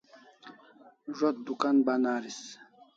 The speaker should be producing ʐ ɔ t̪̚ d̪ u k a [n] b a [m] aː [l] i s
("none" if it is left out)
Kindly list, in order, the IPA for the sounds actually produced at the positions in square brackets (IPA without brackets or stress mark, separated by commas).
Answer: n, n, ɾ